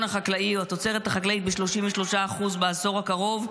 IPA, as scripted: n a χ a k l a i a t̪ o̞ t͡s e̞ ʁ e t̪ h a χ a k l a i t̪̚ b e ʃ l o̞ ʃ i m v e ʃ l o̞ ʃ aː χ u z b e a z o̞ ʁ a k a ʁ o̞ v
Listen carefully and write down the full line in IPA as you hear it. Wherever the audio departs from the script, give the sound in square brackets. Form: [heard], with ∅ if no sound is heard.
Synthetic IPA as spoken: n a χ a k l a i a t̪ o̞ t͡s e̞ ʁ e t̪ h a χ a k l a i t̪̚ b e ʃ l o̞ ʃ i m v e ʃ l o̞ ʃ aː χ u z b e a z o̞ ʁ a k a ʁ o̞ v